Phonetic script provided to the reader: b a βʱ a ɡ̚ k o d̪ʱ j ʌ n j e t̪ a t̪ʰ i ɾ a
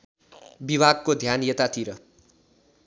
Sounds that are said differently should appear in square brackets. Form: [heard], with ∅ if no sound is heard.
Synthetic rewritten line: b [i] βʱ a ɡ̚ k o d̪ʱ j [a] n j e t̪ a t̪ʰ i ɾ [ʌ]